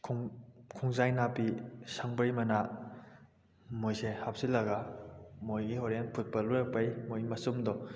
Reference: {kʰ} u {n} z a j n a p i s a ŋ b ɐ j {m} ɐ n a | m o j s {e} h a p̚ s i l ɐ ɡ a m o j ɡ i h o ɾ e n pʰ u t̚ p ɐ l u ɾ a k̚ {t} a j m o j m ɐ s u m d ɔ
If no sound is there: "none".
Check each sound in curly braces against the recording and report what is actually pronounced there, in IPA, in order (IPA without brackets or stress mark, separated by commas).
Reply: kʰ, ŋ, m, e, p